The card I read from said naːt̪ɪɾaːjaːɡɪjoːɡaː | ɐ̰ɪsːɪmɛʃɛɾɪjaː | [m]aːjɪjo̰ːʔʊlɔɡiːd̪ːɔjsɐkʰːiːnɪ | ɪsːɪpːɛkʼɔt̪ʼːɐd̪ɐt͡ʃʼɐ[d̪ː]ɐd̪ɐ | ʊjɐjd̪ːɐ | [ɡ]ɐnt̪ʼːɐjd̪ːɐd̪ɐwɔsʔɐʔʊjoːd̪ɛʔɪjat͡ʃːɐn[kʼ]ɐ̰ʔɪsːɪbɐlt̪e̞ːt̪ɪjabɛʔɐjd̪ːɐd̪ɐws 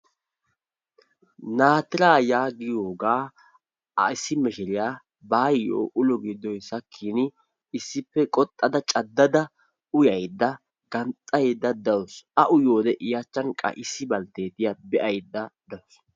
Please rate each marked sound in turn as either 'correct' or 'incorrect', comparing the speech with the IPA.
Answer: incorrect: b, correct, correct, correct

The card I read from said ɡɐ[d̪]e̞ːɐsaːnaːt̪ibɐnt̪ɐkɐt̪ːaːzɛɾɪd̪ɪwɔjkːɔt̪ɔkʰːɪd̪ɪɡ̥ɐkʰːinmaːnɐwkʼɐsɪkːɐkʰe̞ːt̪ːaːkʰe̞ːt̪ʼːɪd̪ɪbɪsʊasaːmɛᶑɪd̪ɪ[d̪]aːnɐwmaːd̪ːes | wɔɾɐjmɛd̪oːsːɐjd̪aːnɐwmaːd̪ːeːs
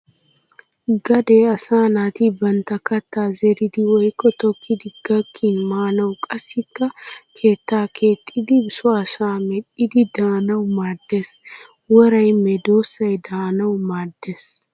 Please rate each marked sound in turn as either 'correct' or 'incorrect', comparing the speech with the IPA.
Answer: correct, correct

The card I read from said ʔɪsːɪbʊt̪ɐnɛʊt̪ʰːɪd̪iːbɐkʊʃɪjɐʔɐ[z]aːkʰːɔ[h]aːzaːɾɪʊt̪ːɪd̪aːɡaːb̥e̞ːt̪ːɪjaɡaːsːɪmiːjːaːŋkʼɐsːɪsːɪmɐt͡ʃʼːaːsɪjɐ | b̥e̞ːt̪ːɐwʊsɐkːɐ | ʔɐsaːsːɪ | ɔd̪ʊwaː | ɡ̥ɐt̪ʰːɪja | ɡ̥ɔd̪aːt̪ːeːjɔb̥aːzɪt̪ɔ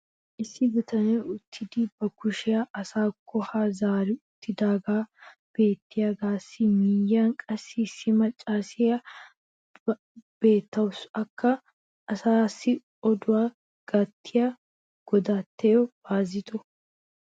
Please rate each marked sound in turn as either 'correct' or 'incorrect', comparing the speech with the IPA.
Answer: incorrect: s, correct

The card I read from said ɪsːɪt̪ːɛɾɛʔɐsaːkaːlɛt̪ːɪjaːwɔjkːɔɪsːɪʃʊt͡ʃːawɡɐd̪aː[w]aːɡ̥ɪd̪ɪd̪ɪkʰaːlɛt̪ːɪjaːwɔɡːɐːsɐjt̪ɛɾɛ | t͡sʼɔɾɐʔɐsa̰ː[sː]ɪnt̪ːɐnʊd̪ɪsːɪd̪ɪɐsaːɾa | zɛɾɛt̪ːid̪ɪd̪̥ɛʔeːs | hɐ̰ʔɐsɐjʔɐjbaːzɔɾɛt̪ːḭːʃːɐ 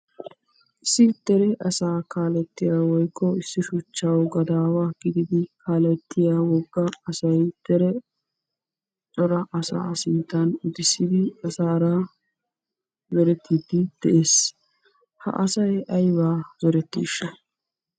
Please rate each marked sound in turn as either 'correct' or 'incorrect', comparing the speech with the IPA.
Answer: correct, incorrect: s

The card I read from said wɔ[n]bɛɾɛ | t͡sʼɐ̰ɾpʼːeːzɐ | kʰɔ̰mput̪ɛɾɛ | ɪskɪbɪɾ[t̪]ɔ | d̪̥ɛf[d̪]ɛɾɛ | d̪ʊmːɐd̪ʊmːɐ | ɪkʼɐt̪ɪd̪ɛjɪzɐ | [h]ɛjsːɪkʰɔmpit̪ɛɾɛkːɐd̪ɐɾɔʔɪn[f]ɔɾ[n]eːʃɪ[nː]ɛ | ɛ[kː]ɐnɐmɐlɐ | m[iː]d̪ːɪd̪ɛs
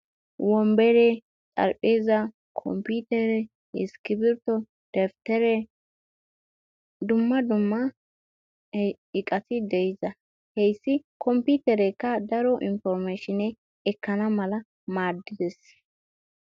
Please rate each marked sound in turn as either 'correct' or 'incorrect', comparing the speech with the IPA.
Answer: incorrect: m, correct, incorrect: t̪, correct, correct, incorrect: m, incorrect: n, correct, incorrect: aː

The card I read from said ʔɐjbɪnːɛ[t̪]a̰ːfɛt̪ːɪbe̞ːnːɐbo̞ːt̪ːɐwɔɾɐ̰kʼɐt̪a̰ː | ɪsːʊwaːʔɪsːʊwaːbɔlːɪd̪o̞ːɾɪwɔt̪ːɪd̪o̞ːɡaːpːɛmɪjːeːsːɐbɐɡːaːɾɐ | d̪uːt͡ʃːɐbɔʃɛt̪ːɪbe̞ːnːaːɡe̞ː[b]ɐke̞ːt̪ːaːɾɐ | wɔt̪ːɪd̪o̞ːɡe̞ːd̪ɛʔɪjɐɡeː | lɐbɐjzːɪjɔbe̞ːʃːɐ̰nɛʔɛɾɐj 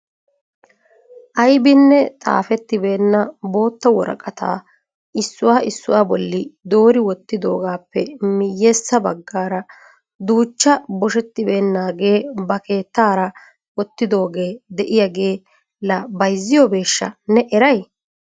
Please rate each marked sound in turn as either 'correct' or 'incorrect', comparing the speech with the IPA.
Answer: incorrect: t̪ʼ, correct

